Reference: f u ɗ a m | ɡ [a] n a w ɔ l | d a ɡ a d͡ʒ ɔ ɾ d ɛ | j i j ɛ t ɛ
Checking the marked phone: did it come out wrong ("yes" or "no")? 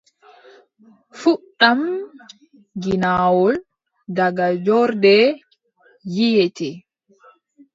yes